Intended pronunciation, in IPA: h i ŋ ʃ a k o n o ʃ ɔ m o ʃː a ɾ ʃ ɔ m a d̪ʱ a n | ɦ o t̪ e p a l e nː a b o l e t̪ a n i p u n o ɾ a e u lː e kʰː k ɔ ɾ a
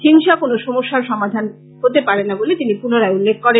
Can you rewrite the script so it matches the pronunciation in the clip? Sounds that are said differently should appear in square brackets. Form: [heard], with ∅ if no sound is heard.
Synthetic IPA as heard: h i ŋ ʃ a k o n o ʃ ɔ m o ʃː a ɾ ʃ ɔ m a d̪ʱ a n | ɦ o t̪ e p a [ɾ] e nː a b o l e t̪ [i] n i p u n o ɾ a e u lː e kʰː k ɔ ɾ [e]